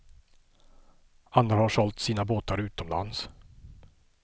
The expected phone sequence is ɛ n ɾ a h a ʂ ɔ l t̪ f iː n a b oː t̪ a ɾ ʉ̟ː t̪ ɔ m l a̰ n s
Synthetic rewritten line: a n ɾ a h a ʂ ɔ l t̪ s iː n a b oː t̪ a ɾ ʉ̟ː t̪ ɔ m l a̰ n s

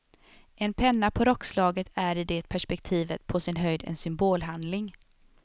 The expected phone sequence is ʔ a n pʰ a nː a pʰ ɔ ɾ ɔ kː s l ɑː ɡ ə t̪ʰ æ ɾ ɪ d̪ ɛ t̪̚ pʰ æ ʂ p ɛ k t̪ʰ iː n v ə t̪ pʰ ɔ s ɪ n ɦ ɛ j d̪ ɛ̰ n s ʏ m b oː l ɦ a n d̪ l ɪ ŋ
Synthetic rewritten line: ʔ ɛ n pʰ ɛ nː a pʰ ɔ ɾ ɔ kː s l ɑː ɡ ə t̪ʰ æ ɾ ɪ d̪ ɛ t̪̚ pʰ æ ʂ p ɛ k t̪ʰ iː v ə t̪ pʰ ɔ s ɪ n ɦ œ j d̪ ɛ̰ n s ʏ m b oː l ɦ a n d̪ l ɪ ŋ

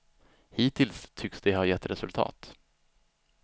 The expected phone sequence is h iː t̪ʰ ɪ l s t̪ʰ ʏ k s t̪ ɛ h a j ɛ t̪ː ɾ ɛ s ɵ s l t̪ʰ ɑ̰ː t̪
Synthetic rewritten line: h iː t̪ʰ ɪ l s t̪ʰ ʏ k s d̪ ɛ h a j ɛ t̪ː ɾ ɛ s ɵ l t̪ʰ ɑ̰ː t̪

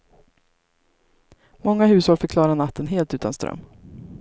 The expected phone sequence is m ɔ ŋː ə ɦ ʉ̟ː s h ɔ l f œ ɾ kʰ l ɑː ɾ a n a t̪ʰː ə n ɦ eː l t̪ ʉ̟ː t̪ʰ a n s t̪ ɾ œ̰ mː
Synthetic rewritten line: m ɔ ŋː a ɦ ʉ̟ː s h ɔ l f œ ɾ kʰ l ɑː ɾ a n a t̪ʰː ə n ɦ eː l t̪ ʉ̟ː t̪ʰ a n s t̪ ɾ œ̰ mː

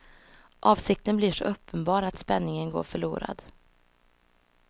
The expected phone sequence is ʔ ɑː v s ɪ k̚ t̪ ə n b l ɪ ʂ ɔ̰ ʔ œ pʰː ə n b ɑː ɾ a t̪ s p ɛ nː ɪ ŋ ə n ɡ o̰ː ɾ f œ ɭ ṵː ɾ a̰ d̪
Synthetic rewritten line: ʔ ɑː v s ɪ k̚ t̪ ə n b l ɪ ʂ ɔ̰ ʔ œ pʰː ə n b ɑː ɾ a t̪ s p ɛ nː ɪ ŋ ə n ɡ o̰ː ɾ f œ ɭ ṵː ɾ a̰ d̪

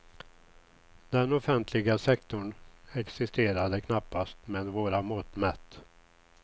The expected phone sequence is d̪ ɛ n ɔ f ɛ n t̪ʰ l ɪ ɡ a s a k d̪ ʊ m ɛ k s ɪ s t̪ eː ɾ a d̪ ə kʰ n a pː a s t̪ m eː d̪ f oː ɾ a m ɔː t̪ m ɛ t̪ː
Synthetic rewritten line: d̪ ɛ n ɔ f ɛ n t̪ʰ l ɪ ɡ a s ɛ k t̪ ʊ ɳ ɛ k s ɪ s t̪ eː ɾ a d̪ ə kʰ n a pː a s t̪ m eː d̪ v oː ɾ a m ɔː t̪ m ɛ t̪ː

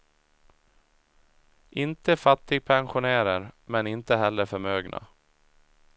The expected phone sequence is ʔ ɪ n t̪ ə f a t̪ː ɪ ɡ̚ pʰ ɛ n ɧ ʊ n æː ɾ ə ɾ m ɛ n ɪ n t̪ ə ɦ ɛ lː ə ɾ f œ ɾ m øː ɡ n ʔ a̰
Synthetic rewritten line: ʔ ɪ n t̪ ə f a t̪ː ɪ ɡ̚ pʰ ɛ n ɧ ʊ n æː ɾ ə ɾ m ɛ n ɪ n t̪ ə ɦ ɛ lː ə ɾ f œ ɾ m øː ɡ n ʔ a̰

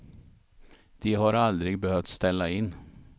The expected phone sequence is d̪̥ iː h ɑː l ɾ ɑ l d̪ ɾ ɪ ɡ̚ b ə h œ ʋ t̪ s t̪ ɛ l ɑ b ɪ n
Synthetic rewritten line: d̪̥ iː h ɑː ɾ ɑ l d̪ ɾ ɪ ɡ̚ b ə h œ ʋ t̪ s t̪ ɛ l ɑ ɪ n

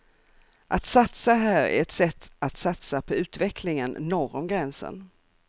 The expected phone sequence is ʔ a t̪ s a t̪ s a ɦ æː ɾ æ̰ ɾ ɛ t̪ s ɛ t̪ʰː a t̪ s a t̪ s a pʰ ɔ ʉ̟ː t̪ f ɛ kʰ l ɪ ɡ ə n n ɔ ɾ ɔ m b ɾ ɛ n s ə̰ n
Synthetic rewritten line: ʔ a t̪ s a t̪ s a ɦ æː ɾ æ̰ ɾ ɛ t̪ s ɛ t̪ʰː a t̪ s a t̪ s a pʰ ɔ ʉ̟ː t̪ v ɛ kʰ l ɪ ŋ ə n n ɔ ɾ ɔ m ɡ ɾ ɛ n s ə̰ n

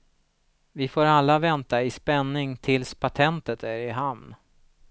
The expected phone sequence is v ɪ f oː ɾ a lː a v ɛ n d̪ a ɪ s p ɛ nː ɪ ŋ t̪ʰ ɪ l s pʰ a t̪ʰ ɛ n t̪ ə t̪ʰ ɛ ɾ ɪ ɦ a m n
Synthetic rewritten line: v ɪ f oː ɾ a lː a v ɛ n t̪ a ɪ s p ɛ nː ɪ ŋ t̪ʰ ɪ l s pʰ a t̪ʰ ɛ n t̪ ə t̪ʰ æ ɾ ɪ ɦ a m n

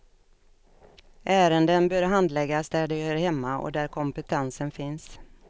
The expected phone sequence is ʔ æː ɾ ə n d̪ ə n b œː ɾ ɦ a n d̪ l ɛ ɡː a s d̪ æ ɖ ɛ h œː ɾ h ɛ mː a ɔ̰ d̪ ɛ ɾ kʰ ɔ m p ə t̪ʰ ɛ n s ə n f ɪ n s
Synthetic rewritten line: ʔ æː ɾ ə n d̪ ə n b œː ɾ ɦ a n d̪ l ɛ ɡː a s d̪ æ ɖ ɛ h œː ɾ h ɛ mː a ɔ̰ d̪ æ ɾ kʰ ɔ m p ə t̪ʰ ɛ n s ə n f ɪ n s

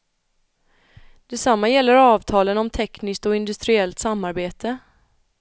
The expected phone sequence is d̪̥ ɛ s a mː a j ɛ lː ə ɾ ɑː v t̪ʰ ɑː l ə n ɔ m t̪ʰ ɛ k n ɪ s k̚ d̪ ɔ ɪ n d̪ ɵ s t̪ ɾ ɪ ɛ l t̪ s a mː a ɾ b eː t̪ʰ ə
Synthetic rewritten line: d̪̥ ɛ s a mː a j ɛ lː ə ɾ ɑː v t̪ʰ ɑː l ə n ɔ m t̪ʰ ɛ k n ɪ s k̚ t̪ ɔ ɪ n d̪ ɵ s t̪ ɾ ɪ ɛ l t̪ s a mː a ɾ b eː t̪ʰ ə

